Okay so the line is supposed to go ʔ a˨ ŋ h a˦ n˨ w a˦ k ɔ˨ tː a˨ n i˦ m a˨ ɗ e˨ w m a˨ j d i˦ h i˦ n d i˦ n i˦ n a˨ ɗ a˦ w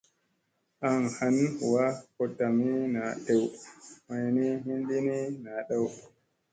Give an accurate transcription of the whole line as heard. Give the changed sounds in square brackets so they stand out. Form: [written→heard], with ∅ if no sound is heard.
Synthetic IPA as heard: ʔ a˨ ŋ h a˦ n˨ w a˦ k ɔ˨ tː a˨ [n→m] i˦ [m→n] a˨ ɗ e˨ w m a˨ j [d→n] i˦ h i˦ n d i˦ n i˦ n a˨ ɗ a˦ w